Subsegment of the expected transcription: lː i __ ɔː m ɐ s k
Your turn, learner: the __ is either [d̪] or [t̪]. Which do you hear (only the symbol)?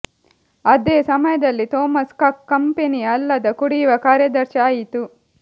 t̪